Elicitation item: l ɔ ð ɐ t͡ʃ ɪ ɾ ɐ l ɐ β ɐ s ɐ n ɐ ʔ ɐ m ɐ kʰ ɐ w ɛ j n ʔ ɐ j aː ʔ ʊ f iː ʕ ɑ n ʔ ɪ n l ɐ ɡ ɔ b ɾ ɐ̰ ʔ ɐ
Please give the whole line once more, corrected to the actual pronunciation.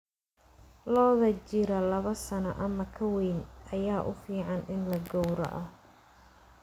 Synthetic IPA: l ɔː ð ɐ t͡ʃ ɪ ɾ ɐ l ɐ β ɐ s ɐ n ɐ ʔ ɐ m ɐ kʰ ɐ w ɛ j n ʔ ɐ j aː ʔ ʊ f iː ʕ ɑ n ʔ ɪ n l ɐ ɡ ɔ w ɾ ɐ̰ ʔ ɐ